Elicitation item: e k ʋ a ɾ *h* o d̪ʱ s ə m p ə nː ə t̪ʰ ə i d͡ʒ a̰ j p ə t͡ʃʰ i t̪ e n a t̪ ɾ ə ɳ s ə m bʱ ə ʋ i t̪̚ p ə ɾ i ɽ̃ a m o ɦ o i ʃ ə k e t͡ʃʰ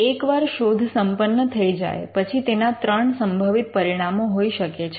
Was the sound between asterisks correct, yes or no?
no